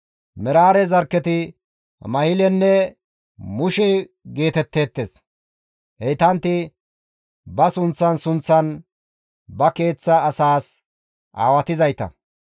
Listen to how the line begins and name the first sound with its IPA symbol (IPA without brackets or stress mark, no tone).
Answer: m